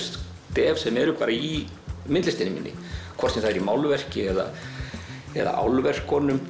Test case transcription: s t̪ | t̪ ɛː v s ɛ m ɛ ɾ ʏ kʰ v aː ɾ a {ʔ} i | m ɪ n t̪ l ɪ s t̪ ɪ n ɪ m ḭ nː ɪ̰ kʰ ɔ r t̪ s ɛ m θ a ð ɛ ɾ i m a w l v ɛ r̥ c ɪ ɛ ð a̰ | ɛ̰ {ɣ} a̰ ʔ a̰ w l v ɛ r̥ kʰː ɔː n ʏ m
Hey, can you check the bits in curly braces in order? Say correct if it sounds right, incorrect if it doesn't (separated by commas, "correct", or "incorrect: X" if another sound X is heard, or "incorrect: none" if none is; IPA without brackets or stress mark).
incorrect: none, incorrect: ð